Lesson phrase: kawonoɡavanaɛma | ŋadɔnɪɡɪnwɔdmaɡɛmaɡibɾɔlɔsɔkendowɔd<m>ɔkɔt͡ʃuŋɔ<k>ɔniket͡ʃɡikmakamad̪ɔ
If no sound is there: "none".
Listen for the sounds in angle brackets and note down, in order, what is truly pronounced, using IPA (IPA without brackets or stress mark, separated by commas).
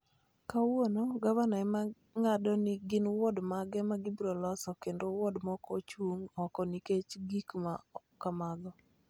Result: m, k